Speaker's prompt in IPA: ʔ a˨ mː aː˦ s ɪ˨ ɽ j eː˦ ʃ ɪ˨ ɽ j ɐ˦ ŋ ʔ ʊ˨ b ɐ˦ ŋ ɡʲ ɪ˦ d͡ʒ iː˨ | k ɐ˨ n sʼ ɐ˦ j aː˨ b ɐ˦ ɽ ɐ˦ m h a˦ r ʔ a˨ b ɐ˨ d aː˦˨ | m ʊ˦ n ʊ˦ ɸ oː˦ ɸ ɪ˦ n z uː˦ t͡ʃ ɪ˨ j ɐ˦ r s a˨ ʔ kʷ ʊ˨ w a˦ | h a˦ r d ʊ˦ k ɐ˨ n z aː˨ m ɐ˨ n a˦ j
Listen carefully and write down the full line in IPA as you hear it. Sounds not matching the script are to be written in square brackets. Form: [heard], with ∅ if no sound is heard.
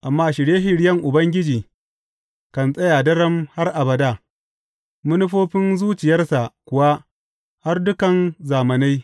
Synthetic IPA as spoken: ʔ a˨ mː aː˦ [ʃ] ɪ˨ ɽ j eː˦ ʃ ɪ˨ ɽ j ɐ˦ ŋ ʔ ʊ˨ b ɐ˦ ŋ ɡʲ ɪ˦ d͡ʒ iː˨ | k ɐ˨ n sʼ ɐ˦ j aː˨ [d] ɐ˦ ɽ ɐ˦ m h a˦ r ʔ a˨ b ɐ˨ d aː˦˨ | m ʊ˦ n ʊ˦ ɸ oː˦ ɸ ɪ˦ n z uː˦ t͡ʃ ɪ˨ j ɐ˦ r s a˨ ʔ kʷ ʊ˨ w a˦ | h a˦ r d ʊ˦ k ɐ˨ n z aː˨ m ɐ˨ n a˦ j

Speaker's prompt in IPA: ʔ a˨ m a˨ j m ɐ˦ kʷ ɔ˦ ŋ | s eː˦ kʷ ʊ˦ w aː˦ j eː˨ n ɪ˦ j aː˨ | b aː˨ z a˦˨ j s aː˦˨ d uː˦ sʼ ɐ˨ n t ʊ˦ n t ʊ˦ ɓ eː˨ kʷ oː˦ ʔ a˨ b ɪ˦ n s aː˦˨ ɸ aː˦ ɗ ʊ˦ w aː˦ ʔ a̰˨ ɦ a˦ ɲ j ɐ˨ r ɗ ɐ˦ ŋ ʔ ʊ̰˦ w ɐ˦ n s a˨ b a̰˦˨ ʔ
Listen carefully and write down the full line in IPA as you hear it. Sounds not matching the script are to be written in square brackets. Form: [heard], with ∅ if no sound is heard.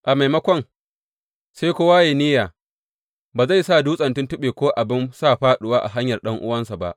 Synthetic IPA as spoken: ʔ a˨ m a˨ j m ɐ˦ kʷ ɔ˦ ŋ | s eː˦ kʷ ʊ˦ w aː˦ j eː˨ n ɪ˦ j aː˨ | b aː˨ z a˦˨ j s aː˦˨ d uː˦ sʼ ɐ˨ n t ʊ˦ n t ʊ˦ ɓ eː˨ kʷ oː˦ ʔ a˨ b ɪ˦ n s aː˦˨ ɸ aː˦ ɗ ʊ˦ w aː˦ ʔ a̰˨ ɦ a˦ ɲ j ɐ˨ r ɗ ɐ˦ ŋ ʔ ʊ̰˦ w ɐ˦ n s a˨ b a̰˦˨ ʔ

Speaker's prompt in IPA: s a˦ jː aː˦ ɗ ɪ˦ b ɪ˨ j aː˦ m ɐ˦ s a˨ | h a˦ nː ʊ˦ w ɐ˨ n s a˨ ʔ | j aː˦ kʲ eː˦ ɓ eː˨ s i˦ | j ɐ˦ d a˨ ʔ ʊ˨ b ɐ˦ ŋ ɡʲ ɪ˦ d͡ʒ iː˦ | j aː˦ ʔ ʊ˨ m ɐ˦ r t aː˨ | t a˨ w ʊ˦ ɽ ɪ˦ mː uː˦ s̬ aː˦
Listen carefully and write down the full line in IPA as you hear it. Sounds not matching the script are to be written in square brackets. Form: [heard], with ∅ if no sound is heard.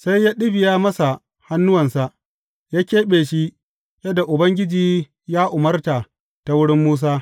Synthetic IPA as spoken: s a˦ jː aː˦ ɗ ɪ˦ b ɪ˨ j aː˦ m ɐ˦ s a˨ | h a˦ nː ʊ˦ w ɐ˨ n s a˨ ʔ | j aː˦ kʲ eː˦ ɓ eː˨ [ʃ] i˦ | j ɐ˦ d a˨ ʔ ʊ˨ b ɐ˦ ŋ ɡʲ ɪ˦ d͡ʒ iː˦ | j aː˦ ʔ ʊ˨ m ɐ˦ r t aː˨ | t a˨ w ʊ˦ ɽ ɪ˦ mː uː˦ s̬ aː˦

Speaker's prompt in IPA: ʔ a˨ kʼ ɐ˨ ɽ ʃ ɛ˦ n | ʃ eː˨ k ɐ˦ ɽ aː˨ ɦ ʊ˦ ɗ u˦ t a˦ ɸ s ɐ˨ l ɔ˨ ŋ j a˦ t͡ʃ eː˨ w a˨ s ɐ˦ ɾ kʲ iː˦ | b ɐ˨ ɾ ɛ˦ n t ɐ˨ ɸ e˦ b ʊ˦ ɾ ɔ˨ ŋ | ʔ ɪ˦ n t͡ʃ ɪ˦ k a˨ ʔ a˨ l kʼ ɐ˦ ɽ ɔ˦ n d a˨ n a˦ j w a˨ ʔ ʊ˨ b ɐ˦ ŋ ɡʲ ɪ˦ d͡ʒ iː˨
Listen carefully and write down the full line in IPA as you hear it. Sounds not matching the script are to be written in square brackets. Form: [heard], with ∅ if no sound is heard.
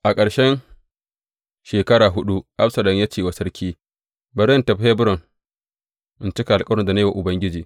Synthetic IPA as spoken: ʔ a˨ kʼ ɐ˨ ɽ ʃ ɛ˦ n | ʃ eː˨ k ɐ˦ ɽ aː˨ ɦ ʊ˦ ɗ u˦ [ʔ] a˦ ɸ s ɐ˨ l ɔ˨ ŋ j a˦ t͡ʃ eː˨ w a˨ s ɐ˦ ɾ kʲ iː˦ | b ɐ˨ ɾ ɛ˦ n t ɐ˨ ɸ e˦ b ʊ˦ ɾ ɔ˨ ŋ | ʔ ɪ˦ n t͡ʃ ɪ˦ k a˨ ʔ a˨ l kʼ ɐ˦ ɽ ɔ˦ n d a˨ n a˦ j w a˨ ʔ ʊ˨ b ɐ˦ ŋ ɡʲ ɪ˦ d͡ʒ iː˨

